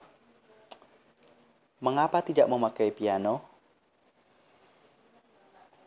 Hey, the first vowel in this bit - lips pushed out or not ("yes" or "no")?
no